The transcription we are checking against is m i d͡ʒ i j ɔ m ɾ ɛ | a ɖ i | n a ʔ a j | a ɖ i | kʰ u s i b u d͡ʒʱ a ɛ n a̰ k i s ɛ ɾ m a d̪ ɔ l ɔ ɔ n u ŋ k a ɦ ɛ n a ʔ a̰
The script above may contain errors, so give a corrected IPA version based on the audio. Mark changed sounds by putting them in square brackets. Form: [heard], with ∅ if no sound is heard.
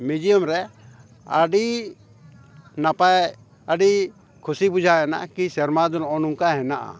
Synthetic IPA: m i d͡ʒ i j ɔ m ɾ ɛ | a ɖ i | n a [p] a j | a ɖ i | kʰ u s i b u d͡ʒʱ a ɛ n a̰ k i s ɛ ɾ m a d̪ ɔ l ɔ ɔ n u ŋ k a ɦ ɛ n a ʔ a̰